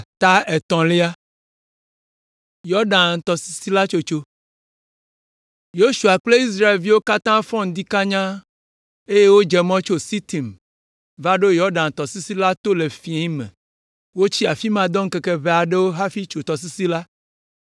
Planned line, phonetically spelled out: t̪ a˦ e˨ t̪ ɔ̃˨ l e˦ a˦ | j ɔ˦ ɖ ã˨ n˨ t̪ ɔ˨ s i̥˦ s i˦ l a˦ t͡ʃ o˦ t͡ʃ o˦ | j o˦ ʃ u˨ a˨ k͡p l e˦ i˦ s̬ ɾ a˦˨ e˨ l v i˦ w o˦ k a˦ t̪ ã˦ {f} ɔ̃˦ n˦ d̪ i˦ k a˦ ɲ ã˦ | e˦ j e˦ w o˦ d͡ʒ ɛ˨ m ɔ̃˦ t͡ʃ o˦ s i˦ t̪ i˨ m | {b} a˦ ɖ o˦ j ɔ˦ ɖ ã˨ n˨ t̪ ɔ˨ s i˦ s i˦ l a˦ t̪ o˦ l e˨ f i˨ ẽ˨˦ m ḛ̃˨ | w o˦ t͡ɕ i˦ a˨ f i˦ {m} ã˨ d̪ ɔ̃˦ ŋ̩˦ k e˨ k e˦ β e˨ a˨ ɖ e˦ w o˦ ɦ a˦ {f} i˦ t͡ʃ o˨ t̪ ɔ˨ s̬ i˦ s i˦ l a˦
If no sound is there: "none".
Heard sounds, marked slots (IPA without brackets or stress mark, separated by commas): f, v, m, f